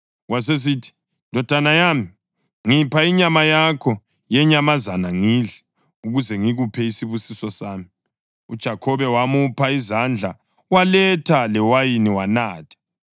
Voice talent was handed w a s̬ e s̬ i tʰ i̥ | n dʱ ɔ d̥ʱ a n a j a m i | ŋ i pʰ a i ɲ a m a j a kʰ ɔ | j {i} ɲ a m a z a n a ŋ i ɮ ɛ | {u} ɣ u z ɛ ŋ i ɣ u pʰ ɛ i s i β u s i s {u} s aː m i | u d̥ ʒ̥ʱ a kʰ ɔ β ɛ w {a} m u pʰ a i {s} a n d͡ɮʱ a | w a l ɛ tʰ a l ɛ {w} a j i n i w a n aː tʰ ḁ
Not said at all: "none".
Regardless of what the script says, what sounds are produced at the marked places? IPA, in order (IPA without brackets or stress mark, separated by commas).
ɛ, u, ɔ, a, z, w